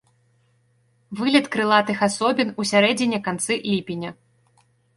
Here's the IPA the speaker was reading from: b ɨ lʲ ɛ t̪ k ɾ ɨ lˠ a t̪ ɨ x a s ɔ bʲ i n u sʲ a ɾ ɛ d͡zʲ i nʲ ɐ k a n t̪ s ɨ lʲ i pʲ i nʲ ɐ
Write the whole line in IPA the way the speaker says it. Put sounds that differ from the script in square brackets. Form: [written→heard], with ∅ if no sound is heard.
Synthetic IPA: [b→v] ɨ lʲ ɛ t̪ k ɾ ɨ lˠ a t̪ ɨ x a s ɔ bʲ i n u sʲ a ɾ ɛ d͡zʲ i nʲ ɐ k a n t̪ s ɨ lʲ i pʲ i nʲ ɐ

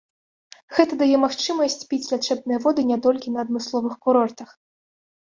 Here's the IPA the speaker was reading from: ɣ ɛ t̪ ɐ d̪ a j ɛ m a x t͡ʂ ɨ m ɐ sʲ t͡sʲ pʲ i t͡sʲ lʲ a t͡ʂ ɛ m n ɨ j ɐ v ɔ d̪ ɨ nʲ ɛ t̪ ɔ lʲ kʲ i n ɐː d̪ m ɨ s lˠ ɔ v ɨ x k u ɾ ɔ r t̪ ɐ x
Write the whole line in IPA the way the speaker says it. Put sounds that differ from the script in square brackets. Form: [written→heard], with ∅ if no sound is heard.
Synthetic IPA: ɣ ɛ t̪ ɐ d̪ a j ɛ m a x t͡ʂ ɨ m ɐ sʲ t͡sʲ pʲ i t͡sʲ lʲ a t͡ʂ ɛ [m→b] n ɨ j ɐ v ɔ d̪ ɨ nʲ ɛ t̪ ɔ lʲ kʲ i n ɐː d̪ m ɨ s lˠ ɔ v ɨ x k u ɾ ɔ r t̪ ɐ x

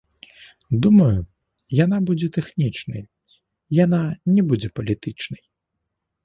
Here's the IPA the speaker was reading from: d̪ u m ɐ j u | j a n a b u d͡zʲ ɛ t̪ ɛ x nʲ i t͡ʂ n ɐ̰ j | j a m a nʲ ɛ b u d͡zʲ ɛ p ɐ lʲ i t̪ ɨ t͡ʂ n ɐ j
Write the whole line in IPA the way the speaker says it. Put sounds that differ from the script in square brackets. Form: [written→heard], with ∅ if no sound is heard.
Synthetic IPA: d̪ u m ɐ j u | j a n a b u d͡zʲ ɛ t̪ ɛ x nʲ i t͡ʂ n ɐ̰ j | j a [m→n] a nʲ ɛ b u d͡zʲ ɛ p ɐ lʲ i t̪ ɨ t͡ʂ n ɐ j

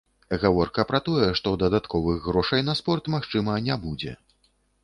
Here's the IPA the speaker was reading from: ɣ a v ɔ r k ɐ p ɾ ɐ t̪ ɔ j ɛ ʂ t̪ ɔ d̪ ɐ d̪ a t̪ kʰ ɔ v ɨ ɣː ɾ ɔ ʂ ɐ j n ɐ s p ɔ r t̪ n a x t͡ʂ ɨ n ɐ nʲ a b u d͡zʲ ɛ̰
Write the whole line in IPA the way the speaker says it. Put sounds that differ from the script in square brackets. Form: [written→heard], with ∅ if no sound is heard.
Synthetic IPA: ɣ a v ɔ r k ɐ p ɾ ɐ t̪ ɔ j ɛ ʂ t̪ ɔ d̪ ɐ d̪ a t̪ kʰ ɔ v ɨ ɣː ɾ ɔ ʂ ɐ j n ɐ s p ɔ r t̪ [n→m] a x t͡ʂ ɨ [n→m] ɐ nʲ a b u d͡zʲ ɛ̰

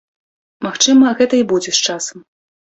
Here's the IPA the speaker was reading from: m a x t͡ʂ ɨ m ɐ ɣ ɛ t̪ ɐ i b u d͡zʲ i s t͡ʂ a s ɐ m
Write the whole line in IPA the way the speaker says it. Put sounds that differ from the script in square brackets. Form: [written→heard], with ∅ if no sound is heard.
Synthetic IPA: m a x t͡ʂ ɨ m ɐ ɣ ɛ t̪ ɐ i b u d͡zʲ [i→ɛ] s t͡ʂ a s ɐ m

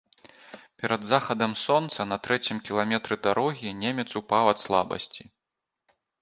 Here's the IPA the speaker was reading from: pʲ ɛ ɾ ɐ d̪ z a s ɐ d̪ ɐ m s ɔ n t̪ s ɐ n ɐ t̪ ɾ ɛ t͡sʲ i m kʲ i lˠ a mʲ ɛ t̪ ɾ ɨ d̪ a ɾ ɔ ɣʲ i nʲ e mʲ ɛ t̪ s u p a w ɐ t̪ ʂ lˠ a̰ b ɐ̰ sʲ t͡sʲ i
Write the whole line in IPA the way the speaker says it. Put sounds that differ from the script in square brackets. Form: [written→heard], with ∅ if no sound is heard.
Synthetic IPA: pʲ ɛ ɾ ɐ d̪ z a [s→x] ɐ d̪ ɐ m s ɔ n t̪ s ɐ n ɐ t̪ ɾ ɛ t͡sʲ i m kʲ i lˠ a mʲ ɛ t̪ ɾ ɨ d̪ a ɾ ɔ ɣʲ i nʲ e mʲ ɛ t̪ s u p a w ɐ t̪ [ʂ→s] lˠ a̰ b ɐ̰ sʲ t͡sʲ i

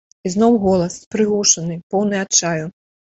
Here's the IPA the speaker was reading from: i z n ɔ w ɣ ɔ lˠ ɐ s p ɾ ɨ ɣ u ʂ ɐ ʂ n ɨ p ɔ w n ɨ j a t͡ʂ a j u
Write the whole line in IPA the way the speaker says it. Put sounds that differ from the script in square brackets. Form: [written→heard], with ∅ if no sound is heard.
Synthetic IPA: i z n ɔ w ɣ ɔ lˠ ɐ s p ɾ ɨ ɣ u ʂ ɐ [ʂ→∅] n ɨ p ɔ w n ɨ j a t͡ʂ a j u

